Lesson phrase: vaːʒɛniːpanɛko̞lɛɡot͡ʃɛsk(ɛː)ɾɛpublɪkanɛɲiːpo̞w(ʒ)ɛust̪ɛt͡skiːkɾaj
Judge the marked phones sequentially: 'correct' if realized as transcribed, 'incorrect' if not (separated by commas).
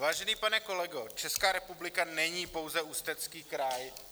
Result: incorrect, incorrect